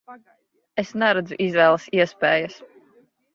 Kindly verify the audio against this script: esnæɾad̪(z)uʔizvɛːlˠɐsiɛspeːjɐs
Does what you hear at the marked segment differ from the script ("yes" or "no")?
no